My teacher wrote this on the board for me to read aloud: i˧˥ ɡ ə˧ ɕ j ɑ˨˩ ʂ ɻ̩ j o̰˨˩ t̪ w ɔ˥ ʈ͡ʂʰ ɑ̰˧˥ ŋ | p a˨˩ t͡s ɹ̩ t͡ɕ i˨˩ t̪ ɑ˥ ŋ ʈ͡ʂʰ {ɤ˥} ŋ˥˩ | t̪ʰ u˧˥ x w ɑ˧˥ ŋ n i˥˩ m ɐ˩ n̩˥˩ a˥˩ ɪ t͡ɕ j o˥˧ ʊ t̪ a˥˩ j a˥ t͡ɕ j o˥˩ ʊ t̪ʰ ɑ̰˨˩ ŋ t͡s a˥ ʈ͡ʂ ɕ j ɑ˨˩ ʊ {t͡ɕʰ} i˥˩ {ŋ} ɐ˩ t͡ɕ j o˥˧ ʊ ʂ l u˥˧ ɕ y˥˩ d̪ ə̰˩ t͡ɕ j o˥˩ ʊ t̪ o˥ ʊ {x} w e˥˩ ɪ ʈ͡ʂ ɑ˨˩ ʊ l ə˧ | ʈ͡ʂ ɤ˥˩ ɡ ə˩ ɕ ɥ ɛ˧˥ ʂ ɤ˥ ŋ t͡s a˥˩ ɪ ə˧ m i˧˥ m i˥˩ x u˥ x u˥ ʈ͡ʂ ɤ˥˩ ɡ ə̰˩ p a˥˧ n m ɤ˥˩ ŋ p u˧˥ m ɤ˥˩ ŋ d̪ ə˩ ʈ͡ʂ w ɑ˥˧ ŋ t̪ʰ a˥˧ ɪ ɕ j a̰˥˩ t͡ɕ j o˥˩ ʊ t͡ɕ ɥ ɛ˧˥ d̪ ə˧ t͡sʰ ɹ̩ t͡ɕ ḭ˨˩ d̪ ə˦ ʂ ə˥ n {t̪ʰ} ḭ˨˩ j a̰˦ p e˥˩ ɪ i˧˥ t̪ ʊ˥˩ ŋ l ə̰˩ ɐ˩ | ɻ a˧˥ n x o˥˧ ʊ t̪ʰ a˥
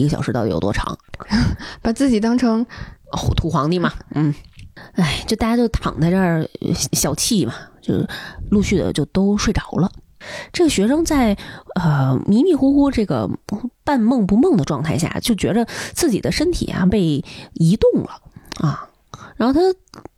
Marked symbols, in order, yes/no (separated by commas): yes, yes, no, no, yes